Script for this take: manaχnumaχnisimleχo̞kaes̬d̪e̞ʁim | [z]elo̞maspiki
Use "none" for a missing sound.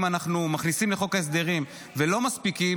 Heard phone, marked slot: v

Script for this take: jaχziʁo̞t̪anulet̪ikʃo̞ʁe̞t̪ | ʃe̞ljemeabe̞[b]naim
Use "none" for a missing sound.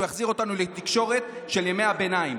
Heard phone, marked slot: none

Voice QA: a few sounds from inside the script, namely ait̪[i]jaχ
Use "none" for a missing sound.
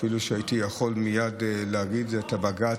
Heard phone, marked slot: i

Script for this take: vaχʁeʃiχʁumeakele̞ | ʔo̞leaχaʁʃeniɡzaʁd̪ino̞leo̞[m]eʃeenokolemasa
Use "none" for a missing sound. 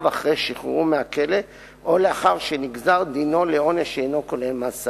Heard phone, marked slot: n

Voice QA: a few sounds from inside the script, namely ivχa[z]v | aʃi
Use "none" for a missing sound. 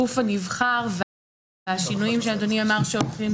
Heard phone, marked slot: ʁ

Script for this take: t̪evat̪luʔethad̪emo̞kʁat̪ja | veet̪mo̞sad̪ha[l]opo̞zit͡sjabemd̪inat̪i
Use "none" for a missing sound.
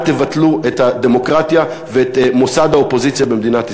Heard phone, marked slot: none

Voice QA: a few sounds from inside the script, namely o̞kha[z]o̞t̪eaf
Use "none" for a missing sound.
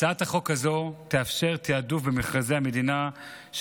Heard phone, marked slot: z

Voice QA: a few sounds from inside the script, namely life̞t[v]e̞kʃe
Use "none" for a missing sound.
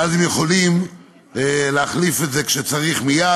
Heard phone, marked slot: z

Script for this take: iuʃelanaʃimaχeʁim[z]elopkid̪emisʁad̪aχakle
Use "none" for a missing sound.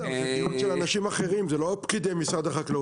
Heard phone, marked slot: z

